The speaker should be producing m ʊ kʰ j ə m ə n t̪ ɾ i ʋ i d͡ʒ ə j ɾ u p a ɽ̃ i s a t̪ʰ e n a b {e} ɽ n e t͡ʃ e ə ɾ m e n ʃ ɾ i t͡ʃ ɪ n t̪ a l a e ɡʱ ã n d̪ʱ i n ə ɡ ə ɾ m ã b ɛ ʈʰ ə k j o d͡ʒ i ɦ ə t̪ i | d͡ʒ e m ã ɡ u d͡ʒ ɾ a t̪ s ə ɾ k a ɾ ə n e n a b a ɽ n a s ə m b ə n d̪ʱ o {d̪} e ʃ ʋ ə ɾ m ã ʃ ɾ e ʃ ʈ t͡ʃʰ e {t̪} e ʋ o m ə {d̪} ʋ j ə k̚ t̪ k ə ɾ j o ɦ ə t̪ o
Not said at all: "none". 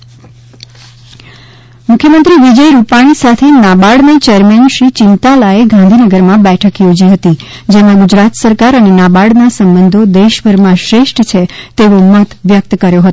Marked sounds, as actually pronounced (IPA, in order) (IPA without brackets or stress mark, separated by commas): a, d̪, t̪, t̪